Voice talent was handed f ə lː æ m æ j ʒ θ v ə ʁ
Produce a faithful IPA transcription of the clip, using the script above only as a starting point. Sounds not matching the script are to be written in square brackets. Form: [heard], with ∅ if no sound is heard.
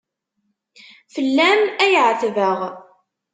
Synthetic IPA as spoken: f ə lː æ m æ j [ʕ] θ v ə ʁ

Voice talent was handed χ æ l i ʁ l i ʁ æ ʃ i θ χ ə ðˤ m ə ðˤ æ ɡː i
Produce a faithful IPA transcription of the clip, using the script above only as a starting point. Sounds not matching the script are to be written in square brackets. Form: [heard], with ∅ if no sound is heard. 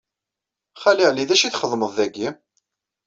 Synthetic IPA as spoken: χ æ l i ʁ l i [ð] æ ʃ i θ χ ə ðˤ m ə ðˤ æ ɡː i

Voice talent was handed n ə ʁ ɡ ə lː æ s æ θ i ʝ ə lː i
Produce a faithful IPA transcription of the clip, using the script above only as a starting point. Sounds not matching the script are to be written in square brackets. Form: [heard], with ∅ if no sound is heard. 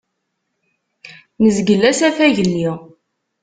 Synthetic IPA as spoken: n ə [z] ɡ ə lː æ s æ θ [æ] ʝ ə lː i

